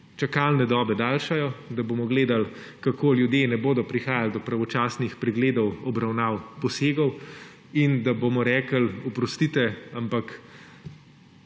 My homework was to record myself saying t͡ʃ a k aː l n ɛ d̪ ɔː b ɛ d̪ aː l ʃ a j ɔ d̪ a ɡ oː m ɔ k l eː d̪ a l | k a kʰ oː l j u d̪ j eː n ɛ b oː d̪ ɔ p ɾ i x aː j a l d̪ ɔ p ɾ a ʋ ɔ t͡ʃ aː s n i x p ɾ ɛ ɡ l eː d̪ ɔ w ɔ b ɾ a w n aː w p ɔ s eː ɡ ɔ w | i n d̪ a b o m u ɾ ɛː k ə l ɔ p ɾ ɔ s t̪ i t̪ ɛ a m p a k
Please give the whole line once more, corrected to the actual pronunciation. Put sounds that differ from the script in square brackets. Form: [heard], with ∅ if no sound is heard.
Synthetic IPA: t͡ʃ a k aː l n ɛ d̪ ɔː b ɛ d̪ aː l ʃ a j ɔ d̪ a [b] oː m ɔ [ɡ] l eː d̪ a l | k a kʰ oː l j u d̪ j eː n ɛ b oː d̪ ɔ p ɾ i x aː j a l d̪ ɔ p ɾ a ʋ ɔ t͡ʃ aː s n i x p ɾ ɛ ɡ l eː d̪ ɔ w ɔ b ɾ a w n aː w p ɔ s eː ɡ ɔ w | i n d̪ a b o m [ɔ] ɾ ɛː k ə l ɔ p ɾ ɔ s t̪ i t̪ ɛ a m p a k

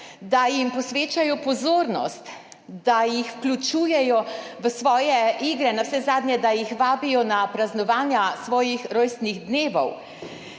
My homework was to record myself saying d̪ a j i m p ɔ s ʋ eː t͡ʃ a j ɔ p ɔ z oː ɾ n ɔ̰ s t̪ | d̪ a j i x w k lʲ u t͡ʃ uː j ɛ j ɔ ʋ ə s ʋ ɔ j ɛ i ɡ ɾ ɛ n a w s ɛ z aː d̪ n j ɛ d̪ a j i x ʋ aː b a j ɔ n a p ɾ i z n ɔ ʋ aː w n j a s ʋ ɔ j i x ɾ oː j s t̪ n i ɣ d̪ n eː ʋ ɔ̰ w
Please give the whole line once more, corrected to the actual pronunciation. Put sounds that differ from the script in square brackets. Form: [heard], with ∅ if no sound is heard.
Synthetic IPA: d̪ a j i m p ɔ s ʋ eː t͡ʃ a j ɔ p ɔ z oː ɾ n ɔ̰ s t̪ | d̪ a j i x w k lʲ u t͡ʃ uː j ɛ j ɔ ʋ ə s ʋ [ɔː] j ɛ i ɡ ɾ ɛ n a w s ɛ z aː d̪ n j ɛ d̪ a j i x ʋ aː b [i] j ɔ n a p ɾ [a] z n ɔ ʋ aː [∅] n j a s ʋ [ɔː] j i x ɾ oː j s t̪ n i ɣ d̪ n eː ʋ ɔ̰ w

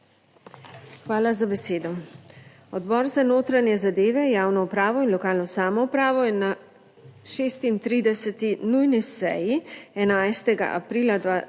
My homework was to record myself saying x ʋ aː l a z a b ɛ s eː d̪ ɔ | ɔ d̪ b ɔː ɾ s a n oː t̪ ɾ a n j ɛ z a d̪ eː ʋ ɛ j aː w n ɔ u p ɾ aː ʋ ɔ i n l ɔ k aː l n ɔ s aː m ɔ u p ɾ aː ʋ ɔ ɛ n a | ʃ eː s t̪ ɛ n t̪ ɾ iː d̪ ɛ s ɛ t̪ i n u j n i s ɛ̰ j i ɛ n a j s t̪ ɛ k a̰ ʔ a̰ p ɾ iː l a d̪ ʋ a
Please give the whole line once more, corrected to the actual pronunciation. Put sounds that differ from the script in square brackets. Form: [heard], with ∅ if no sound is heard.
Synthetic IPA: x ʋ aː l a z a b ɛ s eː d̪ ɔ | ɔ d̪ b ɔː ɾ [z] a n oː t̪ ɾ a n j ɛ z a d̪ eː ʋ ɛ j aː w n ɔ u p ɾ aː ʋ ɔ i n l ɔ k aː l n ɔ s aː m ɔ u p ɾ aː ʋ ɔ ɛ n a | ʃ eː s t̪ [i] n t̪ ɾ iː d̪ ɛ s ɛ t̪ i n u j n i s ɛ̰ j i ɛ n a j s t̪ ɛ [ɡ] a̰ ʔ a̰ p ɾ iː l a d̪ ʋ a

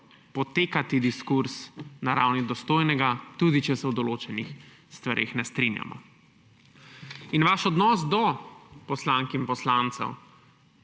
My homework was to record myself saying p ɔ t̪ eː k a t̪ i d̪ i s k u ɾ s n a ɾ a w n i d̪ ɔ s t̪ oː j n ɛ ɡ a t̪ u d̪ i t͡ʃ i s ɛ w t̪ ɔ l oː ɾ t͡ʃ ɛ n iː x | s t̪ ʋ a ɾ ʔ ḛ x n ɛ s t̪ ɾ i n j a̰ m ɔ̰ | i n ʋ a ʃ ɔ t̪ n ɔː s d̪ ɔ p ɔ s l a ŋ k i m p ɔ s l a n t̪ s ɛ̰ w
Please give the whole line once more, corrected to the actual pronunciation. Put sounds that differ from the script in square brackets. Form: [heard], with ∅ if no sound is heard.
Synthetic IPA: p ɔ t̪ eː k a t̪ i d̪ i s k u ɾ s n a ɾ a w n i d̪ ɔ s t̪ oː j n ɛ ɡ a t̪ u d̪ i t͡ʃ [ɛ] s ɛ w [d̪] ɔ l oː [∅] t͡ʃ ɛ n [i] x | s t̪ ʋ a ɾ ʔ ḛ x n ɛ s t̪ ɾ i n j a̰ m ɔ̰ | i n ʋ a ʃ ɔ [d̪] n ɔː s d̪ ɔ p ɔ s l a ŋ k i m p ɔ s l a n t̪ s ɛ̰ w

